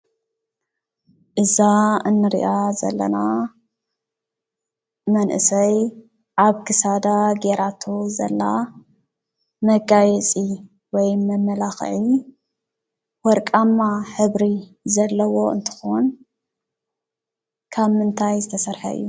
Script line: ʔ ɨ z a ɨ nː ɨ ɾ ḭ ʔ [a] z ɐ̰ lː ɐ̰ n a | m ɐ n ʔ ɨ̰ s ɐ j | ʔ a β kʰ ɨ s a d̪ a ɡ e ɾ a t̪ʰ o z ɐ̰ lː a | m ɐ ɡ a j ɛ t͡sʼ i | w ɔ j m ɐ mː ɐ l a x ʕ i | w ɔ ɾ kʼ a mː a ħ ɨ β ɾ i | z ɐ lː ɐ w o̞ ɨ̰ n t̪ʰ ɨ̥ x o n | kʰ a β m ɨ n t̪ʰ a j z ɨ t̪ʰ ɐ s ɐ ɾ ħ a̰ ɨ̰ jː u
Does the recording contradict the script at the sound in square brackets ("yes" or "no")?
no